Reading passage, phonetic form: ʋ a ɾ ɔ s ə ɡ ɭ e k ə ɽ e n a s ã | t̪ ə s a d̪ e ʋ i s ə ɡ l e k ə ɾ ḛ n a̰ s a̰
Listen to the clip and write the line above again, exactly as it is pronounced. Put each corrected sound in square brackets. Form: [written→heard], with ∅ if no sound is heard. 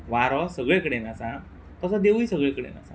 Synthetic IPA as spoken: ʋ a ɾ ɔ s ə ɡ ɭ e k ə ɽ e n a s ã | t̪ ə s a d̪ e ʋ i s ə ɡ [l→ɭ] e k ə [ɾ→ɽ] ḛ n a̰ s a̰